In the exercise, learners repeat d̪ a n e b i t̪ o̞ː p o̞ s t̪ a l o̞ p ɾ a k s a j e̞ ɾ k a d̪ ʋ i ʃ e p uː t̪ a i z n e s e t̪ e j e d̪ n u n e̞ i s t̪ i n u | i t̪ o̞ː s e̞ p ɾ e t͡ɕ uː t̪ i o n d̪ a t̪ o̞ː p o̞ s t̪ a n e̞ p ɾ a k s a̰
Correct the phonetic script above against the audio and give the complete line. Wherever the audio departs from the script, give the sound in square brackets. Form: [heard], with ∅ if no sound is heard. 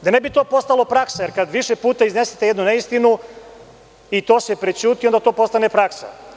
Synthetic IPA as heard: d̪ a n e b i t̪ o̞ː p o̞ s t̪ a l o̞ p ɾ a k s a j e̞ ɾ k a d̪ ʋ i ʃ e p uː t̪ a i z n e s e t̪ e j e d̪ n u n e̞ i s t̪ i n u | i t̪ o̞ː s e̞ p ɾ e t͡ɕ uː t̪ i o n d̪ a t̪ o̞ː p o̞ s t̪ a n e̞ p ɾ a k s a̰